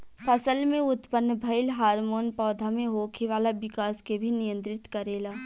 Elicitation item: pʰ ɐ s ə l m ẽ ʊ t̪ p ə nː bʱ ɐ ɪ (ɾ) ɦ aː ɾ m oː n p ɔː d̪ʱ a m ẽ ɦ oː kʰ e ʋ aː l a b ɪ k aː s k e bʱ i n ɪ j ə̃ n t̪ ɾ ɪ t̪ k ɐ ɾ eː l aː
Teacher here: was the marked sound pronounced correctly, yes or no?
no